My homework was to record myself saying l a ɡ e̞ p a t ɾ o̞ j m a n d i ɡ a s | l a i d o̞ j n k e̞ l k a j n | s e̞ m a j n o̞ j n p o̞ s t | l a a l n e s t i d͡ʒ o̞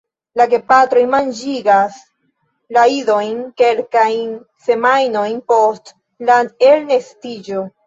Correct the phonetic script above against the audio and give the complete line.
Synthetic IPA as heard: l a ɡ e̞ p a t ɾ o̞ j m a n d͡ʒ i ɡ a s | l a i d o̞ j n k e̞ l k a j n | s e̞ m a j n o̞ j n p o̞ s t | l a e l n e s t i d͡ʒ o̞